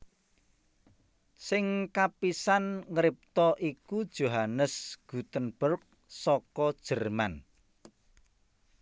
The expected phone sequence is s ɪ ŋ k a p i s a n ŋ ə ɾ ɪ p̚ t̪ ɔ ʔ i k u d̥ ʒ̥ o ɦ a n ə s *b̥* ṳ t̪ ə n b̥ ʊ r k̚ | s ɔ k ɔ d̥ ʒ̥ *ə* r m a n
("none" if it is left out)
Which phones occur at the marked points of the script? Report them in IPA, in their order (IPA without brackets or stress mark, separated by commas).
ɡ̥, ə